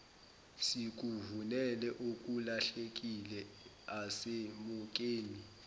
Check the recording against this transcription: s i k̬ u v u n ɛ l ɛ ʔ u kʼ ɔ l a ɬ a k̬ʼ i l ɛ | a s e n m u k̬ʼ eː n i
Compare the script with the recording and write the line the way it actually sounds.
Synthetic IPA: s i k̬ u v u n ɛ l ɛ ʔ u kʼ u l a ɬ e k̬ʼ i l ɛ | a s e m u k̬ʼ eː n i